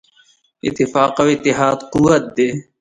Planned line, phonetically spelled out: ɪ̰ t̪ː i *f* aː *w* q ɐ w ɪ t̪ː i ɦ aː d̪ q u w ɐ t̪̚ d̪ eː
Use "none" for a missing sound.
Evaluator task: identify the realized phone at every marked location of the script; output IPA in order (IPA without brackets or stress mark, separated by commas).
f, none